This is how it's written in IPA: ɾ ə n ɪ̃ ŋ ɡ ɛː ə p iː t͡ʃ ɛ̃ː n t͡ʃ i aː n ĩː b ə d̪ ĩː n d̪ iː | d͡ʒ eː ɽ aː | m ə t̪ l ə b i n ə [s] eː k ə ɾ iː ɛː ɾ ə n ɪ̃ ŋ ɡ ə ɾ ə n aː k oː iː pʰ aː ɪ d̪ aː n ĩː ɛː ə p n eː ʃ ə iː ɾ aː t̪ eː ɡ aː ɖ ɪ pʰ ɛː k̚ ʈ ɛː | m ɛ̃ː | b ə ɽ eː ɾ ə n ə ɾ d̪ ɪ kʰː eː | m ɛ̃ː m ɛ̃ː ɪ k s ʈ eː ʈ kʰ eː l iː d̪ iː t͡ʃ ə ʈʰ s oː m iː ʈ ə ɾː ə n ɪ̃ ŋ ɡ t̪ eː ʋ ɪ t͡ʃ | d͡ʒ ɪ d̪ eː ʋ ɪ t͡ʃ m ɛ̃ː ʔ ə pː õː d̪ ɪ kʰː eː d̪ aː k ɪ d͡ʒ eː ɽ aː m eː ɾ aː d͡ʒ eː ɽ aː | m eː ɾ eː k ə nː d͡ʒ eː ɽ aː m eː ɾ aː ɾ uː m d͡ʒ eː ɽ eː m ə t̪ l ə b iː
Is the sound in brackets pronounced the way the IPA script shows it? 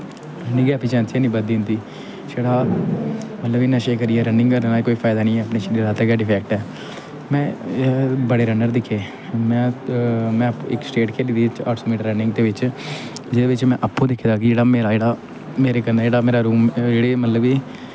no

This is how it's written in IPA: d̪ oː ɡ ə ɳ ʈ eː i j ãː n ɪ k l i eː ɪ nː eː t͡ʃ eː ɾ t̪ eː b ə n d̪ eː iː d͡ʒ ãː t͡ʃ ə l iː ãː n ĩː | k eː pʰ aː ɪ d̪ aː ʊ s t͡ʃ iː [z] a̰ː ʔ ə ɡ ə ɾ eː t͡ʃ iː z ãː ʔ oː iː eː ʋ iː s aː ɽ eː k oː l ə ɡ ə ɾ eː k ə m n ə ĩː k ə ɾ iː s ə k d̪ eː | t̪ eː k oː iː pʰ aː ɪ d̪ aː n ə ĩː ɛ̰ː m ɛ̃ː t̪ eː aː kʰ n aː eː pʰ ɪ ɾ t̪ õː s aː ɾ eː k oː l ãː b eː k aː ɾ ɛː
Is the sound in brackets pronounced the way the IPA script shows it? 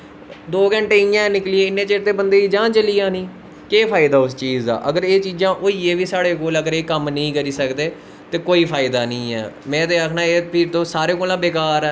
yes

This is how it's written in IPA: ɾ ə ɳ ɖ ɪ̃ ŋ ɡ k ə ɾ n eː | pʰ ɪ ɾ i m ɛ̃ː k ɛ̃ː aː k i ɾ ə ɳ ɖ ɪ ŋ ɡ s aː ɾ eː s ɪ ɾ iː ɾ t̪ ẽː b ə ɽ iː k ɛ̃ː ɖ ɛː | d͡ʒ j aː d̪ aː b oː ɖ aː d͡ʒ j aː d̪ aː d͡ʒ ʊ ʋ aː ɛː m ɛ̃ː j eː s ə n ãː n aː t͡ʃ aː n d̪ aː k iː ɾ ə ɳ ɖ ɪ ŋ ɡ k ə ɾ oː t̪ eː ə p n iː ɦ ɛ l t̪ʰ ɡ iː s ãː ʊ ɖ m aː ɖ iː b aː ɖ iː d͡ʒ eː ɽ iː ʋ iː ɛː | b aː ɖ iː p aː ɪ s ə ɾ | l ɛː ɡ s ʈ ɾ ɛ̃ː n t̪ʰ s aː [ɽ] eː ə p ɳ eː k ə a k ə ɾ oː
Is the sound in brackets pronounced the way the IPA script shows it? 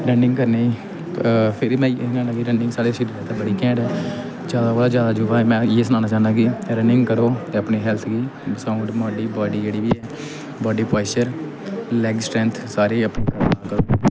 no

